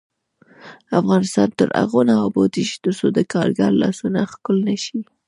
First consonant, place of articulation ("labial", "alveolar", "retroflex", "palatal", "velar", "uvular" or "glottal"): labial